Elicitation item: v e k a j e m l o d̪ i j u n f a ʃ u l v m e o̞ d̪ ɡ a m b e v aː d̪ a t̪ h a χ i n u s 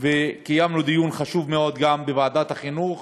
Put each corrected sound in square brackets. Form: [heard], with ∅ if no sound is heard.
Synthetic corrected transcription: v e k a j [a] m l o d̪ i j u n [χ] a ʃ u [∅] v m e o̞ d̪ ɡ a m b e v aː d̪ a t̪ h a χ i n u [χ]